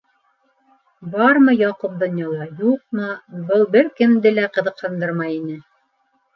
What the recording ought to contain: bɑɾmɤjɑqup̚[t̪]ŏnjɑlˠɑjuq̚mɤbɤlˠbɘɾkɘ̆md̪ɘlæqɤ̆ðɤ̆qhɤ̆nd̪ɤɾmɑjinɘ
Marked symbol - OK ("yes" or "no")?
no